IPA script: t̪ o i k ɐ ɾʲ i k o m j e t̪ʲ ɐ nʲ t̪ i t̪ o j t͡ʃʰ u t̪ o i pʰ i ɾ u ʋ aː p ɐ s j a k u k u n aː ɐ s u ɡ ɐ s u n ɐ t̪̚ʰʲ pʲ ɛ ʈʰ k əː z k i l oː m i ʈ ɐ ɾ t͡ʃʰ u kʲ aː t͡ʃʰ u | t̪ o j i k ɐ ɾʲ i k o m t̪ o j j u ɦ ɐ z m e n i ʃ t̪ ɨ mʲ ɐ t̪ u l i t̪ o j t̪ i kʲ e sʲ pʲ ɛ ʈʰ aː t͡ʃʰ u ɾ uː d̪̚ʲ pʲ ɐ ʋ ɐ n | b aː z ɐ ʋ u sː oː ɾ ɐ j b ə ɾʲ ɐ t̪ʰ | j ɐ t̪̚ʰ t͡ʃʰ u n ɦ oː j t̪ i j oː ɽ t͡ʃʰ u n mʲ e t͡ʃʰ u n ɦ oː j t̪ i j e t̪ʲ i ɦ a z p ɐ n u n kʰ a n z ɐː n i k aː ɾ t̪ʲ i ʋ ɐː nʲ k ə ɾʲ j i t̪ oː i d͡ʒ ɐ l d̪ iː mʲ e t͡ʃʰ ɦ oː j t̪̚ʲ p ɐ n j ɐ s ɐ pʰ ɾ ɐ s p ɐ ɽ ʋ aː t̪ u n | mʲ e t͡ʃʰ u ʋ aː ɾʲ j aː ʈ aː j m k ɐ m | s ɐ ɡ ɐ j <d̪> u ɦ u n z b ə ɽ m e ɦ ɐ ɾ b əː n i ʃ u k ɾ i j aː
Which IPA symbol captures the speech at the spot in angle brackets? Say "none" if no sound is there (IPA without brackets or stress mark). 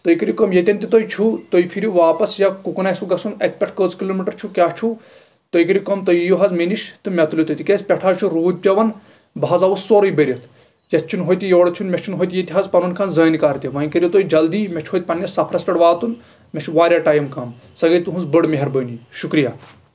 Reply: t̪